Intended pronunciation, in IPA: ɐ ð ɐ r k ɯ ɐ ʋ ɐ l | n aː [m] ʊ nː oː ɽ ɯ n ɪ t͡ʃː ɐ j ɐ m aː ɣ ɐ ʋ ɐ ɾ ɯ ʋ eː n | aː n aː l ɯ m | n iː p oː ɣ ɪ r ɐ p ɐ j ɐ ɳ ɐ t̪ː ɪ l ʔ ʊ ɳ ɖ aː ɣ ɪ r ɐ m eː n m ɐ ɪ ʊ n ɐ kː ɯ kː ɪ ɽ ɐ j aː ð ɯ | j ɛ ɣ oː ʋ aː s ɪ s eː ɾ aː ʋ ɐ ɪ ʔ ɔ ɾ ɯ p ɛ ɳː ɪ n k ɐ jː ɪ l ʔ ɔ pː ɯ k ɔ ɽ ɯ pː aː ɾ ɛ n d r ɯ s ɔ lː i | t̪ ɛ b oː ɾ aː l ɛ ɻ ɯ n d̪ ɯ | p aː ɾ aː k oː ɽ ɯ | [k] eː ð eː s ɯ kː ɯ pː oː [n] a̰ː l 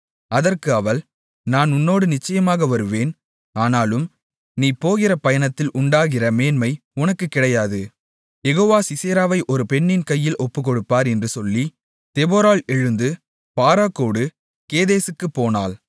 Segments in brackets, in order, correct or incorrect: incorrect: n, correct, correct

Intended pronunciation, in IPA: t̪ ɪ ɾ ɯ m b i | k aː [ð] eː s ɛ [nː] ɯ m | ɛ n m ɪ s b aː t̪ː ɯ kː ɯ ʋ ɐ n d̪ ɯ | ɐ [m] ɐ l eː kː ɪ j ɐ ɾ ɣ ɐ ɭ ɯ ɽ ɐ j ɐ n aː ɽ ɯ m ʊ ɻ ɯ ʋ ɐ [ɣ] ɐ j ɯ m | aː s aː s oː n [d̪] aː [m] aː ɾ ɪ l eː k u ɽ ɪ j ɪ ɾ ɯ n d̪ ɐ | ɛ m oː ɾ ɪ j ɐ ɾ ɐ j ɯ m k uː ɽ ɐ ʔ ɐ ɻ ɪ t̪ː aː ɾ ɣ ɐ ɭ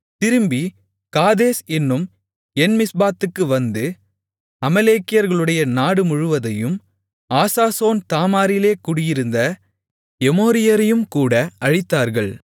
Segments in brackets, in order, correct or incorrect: correct, correct, correct, incorrect: ð, incorrect: t̪, correct

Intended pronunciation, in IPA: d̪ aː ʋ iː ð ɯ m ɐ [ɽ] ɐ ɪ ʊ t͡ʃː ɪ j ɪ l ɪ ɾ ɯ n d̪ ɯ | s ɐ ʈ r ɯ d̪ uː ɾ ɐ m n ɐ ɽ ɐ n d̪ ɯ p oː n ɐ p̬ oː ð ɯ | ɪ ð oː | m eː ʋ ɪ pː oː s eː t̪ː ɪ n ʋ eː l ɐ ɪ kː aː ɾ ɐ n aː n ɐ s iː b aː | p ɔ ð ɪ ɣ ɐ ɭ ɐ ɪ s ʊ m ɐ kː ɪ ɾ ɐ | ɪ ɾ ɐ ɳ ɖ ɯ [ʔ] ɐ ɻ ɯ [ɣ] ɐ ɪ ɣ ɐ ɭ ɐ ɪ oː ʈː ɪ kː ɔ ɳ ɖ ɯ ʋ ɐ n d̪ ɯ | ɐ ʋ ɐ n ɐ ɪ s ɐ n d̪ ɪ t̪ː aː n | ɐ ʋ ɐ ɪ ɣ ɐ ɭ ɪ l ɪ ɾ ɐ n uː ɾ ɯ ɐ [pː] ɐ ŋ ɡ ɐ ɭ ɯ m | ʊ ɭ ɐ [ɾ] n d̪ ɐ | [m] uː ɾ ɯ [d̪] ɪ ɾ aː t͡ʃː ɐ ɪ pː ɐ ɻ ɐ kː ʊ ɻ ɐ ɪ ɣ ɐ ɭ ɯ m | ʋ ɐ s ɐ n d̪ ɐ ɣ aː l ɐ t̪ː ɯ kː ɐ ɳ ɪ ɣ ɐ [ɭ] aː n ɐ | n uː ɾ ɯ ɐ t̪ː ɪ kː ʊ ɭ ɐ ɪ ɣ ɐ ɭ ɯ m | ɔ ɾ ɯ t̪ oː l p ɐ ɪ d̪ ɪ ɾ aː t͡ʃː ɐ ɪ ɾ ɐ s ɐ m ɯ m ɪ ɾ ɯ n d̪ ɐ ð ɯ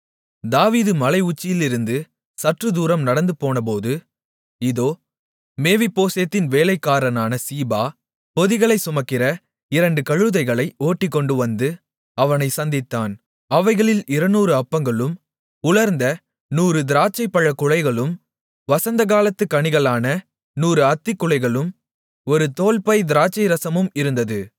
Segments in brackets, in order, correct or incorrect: incorrect: l, incorrect: k, incorrect: ð, correct, correct, incorrect: n, correct, correct

